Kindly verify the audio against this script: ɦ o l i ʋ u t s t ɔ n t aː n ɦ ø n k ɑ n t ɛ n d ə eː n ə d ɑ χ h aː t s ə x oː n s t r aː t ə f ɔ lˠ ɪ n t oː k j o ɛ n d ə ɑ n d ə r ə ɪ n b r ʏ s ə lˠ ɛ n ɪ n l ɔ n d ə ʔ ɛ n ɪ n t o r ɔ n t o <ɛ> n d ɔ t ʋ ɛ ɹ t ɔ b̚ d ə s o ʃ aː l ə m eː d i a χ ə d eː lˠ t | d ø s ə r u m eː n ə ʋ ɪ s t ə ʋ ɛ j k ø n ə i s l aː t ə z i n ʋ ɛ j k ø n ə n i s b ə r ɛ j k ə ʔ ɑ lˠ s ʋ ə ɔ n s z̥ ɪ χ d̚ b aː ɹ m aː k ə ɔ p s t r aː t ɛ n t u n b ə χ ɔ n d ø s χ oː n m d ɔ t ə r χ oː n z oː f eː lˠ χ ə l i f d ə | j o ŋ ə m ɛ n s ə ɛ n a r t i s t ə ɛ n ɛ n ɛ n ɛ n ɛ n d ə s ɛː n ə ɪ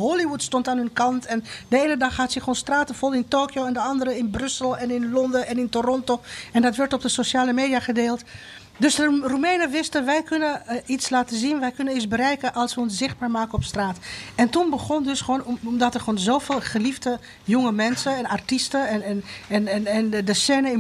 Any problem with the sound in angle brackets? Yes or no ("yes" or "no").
no